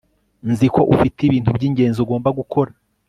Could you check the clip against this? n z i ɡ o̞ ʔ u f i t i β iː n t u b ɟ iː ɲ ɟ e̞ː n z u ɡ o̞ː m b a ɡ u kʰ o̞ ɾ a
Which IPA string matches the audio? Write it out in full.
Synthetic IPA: n z i k o̞ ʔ u f i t i β iː n t u b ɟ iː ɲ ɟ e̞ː n z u ɡ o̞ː m b a ɡ u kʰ o̞ ɾ a

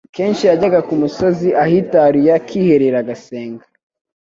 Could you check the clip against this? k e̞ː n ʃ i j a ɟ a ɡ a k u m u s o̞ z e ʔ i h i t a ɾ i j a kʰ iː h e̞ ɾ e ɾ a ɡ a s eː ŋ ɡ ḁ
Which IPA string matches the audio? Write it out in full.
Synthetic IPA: k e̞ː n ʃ i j a ɟ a ɡ a k u m u s o̞ z i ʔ a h i t a ɾ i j a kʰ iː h e̞ ɾ e ɾ a ɡ a s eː ŋ ɡ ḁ

